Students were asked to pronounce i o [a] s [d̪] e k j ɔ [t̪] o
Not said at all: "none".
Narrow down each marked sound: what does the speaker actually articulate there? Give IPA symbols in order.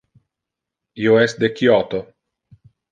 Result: ɛ, d̪, t̪

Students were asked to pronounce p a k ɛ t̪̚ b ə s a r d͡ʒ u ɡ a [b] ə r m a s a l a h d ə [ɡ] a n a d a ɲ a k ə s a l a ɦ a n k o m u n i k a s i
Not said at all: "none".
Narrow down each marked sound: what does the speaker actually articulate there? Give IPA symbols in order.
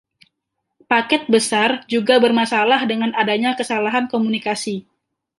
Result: b, ŋ

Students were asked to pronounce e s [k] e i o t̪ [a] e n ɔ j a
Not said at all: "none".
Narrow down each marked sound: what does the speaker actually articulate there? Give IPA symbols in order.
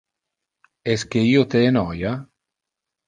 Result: k, e

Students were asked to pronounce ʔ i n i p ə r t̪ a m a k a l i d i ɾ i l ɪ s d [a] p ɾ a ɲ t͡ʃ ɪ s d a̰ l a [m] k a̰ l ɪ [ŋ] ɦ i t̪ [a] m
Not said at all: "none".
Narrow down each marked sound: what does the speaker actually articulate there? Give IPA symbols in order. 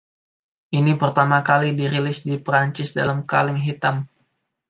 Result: i, m, ŋ, a

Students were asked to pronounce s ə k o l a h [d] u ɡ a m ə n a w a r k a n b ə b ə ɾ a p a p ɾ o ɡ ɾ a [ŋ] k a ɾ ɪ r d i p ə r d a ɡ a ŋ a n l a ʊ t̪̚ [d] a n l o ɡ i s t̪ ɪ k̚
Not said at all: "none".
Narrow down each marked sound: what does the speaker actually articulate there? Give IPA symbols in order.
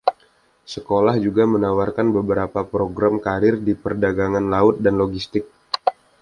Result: d͡ʒ, m, d

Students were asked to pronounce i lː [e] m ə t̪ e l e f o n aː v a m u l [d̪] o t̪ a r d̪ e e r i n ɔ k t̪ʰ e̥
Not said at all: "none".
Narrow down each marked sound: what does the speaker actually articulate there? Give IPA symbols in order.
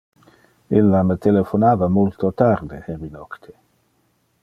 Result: a, t̪

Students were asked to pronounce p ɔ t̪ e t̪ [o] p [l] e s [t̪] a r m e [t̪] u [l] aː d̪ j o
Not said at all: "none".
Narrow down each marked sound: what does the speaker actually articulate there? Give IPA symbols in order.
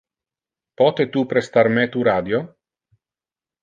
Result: u, ɾ, t̪, t̪, ɾ

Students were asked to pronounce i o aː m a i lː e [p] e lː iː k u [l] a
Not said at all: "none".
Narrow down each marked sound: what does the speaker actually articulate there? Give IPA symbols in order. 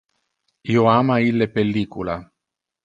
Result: p, l

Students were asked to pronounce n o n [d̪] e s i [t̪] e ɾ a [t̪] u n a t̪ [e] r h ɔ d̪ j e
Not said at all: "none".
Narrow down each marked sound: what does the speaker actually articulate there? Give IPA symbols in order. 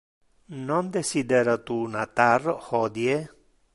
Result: d̪, d̪, t̪, a

